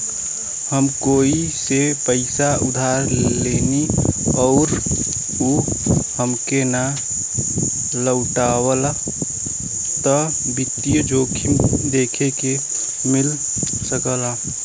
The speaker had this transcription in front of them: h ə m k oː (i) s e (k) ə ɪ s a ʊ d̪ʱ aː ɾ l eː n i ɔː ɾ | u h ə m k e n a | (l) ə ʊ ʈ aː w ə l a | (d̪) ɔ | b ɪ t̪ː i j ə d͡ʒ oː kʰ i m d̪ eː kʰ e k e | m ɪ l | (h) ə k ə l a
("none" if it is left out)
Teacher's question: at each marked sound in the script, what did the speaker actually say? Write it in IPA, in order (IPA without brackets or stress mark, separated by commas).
i, p, l, t̪, s